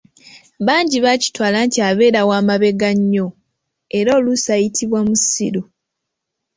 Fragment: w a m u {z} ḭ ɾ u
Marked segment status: incorrect: s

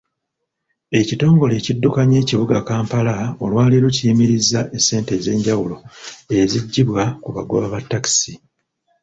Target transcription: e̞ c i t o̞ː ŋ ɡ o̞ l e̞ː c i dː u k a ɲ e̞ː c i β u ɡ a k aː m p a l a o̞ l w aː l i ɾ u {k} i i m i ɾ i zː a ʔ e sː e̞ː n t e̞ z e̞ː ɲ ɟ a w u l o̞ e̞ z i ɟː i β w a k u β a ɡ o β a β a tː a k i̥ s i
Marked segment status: incorrect: c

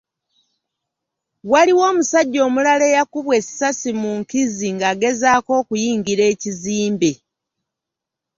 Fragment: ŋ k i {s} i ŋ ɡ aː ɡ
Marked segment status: incorrect: z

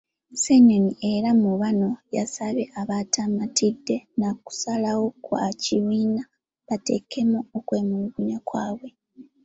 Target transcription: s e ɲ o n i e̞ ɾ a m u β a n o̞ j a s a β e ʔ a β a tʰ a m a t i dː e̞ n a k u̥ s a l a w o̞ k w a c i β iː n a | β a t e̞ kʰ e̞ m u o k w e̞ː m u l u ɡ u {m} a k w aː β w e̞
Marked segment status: incorrect: ɲ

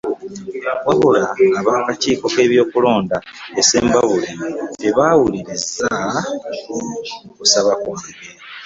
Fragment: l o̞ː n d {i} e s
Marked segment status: incorrect: a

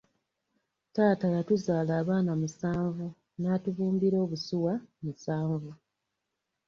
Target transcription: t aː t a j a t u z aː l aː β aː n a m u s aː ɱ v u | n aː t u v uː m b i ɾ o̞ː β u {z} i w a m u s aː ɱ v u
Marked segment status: incorrect: s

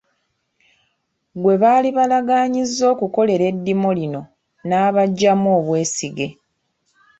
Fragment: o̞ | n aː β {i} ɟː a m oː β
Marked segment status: incorrect: a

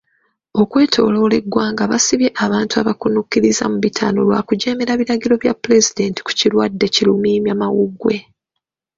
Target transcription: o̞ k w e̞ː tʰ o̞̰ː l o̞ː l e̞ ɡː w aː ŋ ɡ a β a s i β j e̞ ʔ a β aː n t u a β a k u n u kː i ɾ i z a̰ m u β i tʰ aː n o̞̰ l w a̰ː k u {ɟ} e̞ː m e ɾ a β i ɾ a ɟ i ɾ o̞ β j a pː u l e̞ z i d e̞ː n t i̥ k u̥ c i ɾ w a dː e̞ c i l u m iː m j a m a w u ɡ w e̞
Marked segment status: correct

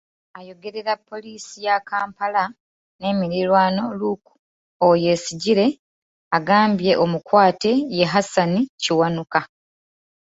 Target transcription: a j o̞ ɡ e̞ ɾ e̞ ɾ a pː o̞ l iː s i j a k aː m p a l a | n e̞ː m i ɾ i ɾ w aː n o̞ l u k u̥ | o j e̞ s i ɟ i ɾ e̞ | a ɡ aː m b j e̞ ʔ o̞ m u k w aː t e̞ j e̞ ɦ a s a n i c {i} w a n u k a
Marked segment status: correct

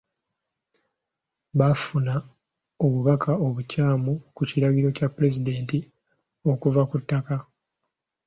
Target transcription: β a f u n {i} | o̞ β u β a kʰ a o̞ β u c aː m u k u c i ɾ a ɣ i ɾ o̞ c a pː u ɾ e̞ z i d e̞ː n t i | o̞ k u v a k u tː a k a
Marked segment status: incorrect: a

